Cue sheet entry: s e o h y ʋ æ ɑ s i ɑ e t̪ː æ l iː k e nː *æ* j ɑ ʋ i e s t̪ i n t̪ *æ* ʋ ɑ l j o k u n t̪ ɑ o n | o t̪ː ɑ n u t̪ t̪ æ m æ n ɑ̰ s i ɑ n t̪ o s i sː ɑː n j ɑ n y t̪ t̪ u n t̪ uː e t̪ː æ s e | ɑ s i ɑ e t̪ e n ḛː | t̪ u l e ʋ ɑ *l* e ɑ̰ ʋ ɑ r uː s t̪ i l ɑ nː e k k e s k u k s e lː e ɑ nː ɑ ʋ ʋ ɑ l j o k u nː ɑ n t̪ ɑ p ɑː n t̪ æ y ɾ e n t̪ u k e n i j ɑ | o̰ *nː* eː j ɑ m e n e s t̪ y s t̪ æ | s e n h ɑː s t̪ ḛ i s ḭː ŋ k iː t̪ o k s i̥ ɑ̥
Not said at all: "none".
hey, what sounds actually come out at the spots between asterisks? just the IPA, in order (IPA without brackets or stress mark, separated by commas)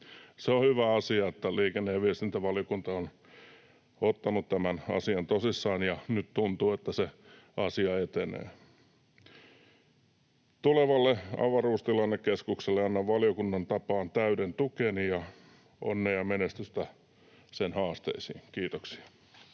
e, æ, lː, nː